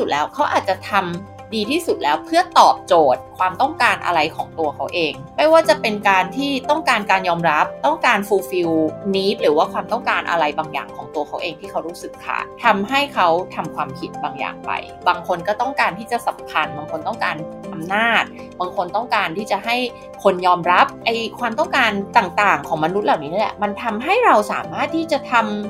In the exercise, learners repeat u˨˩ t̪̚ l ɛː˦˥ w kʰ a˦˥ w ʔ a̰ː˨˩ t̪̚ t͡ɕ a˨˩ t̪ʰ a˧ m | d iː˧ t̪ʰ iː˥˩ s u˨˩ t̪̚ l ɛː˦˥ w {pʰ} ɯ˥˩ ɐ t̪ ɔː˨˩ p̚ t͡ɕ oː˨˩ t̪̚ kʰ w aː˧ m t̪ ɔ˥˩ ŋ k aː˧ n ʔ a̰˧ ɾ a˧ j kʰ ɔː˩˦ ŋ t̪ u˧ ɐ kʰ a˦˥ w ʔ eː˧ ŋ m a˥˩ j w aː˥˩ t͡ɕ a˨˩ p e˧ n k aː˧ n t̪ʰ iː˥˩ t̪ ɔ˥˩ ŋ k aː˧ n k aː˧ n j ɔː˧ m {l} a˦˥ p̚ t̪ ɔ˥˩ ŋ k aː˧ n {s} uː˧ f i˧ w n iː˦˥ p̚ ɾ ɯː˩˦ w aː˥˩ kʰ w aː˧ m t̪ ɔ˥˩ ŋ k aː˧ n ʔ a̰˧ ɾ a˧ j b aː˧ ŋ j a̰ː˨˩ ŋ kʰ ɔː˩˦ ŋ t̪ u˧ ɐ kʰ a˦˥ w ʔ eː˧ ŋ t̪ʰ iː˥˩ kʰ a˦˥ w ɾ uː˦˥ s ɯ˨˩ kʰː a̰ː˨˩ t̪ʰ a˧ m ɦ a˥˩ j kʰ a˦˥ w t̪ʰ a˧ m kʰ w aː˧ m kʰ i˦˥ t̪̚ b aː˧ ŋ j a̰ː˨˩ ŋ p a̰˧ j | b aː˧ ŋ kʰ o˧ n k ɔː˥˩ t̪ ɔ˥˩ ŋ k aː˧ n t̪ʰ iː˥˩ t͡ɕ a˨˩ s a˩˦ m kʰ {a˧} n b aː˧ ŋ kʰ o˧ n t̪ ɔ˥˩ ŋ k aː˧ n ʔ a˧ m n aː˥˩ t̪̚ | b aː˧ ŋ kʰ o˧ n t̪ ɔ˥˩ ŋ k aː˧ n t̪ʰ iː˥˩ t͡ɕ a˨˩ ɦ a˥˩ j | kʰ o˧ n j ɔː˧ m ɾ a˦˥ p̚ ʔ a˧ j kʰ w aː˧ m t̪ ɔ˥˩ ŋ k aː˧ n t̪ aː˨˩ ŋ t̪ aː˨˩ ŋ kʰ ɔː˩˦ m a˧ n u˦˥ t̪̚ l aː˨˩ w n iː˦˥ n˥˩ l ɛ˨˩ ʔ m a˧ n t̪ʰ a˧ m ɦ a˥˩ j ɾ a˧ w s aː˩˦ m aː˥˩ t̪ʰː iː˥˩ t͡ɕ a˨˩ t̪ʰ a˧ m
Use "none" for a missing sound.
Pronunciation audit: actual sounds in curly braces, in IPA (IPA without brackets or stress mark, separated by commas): pʰ, ɾ, f, a˧